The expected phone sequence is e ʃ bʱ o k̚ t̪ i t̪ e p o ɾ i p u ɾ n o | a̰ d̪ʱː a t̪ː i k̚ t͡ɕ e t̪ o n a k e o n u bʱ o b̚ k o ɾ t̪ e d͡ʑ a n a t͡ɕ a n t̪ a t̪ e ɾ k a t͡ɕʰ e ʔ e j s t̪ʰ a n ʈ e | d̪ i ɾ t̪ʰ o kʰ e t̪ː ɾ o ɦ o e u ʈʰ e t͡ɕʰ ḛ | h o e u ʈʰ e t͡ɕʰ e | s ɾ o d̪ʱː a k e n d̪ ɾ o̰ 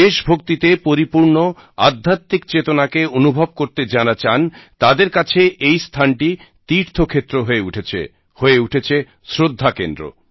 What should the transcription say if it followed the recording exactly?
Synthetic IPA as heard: e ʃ bʱ o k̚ t̪ i t̪ e p o ɾ i p u ɾ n o | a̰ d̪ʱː a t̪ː i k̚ t͡ɕ e t̪ o n a k e o n u bʱ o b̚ k o ɾ t̪ e d͡ʑ a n a t͡ɕ a n t̪ a d̪ e ɾ k a t͡ɕʰ e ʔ e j s t̪ʰ a n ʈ i | t̪ i ɾ t̪ʰ o kʰ e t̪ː ɾ o ɦ o e u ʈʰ e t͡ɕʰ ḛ | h o e u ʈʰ e t͡ɕʰ e | s ɾ o d̪ʱː a k e n d̪ ɾ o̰